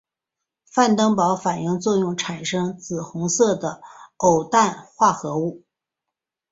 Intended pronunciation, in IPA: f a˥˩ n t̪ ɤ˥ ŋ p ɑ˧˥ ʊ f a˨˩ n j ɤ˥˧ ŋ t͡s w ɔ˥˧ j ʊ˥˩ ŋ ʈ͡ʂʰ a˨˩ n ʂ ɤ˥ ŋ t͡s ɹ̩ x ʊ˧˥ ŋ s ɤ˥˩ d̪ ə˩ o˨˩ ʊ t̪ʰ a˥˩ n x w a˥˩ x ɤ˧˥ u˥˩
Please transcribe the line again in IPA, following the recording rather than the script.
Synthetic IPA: f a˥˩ n t̪ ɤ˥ ŋ p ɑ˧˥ ʊ f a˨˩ n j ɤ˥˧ ŋ t͡s w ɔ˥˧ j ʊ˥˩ ŋ ʈ͡ʂʰ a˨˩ n ʂ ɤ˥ ŋ t͡s ɹ̩ x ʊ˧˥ ŋ s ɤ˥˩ d̪ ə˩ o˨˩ ʊ t̪ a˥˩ n x w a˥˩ x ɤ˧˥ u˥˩